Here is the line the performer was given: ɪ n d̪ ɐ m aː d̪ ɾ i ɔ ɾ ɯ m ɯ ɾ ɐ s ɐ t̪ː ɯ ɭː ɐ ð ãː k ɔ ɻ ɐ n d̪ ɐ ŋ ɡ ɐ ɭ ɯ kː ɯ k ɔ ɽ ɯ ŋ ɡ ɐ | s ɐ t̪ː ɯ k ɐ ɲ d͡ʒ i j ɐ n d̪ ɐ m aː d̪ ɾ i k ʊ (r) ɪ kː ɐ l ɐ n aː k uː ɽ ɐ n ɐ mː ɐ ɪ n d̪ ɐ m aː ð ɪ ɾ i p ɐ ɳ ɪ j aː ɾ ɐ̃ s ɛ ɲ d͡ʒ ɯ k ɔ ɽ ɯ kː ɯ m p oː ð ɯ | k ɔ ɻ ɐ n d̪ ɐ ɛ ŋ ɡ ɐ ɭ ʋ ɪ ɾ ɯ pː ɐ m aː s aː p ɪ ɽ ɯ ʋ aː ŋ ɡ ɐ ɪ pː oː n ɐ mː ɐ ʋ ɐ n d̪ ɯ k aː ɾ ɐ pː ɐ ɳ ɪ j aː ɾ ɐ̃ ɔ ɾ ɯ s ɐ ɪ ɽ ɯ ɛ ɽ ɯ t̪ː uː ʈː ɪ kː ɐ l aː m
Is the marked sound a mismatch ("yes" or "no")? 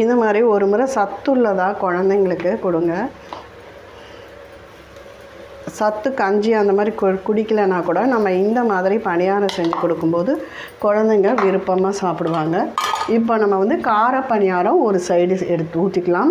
yes